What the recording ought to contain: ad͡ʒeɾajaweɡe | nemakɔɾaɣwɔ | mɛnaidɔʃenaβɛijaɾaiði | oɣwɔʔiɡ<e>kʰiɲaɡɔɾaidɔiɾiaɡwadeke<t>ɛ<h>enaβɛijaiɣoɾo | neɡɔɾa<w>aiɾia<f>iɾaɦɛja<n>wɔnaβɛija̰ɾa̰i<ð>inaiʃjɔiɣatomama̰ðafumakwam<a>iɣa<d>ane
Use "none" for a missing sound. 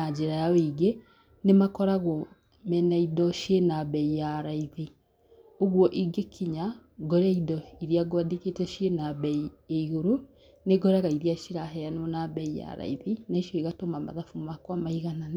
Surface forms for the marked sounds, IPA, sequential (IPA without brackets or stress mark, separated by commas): e, t, ʃ, ɣ, ʃ, n, ð, a, n